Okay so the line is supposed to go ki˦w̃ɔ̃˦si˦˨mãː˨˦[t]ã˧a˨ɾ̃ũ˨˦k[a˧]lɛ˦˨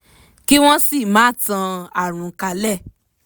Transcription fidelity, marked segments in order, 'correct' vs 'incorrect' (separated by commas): correct, correct